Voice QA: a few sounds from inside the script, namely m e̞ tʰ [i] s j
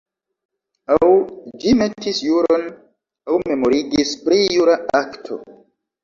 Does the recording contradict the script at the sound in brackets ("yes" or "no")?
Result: no